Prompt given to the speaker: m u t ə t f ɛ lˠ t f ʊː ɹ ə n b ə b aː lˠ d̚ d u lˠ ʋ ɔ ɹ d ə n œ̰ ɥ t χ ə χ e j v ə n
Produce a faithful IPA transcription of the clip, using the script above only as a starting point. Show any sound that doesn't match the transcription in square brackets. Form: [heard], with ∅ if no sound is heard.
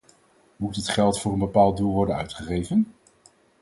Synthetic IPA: m u t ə t [χ] ɛ lˠ t f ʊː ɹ ə n b ə [p] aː lˠ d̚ d u lˠ ʋ ɔ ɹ d ə n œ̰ ɥ t χ ə χ e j v ə n